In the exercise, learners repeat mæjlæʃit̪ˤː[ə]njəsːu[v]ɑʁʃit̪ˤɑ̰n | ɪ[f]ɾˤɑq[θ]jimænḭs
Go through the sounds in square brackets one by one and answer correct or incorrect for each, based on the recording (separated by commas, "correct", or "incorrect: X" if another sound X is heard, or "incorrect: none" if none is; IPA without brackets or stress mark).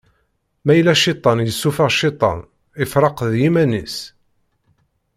incorrect: ɑ, incorrect: f, correct, incorrect: ð